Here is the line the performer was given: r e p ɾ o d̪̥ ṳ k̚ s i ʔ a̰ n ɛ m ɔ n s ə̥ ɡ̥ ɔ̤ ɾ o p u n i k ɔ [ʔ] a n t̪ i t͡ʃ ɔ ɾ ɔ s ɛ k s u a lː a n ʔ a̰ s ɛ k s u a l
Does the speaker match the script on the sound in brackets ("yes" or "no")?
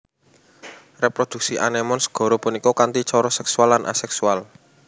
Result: no